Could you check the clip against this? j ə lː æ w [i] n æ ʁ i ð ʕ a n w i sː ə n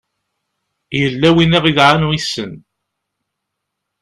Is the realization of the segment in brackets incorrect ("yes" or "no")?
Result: no